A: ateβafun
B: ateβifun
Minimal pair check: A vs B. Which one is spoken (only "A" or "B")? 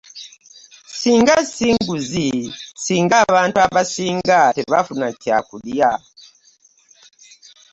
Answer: A